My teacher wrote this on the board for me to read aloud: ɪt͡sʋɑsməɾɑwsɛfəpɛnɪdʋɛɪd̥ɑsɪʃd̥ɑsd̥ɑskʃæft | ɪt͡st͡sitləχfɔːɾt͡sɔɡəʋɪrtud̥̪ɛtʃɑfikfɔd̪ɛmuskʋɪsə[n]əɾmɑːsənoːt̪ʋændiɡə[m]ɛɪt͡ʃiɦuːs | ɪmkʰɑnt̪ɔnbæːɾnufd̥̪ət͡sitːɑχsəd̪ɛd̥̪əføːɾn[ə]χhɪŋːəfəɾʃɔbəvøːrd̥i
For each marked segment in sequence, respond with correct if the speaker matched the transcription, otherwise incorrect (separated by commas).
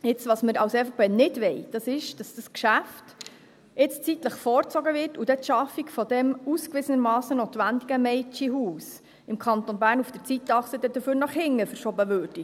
correct, correct, incorrect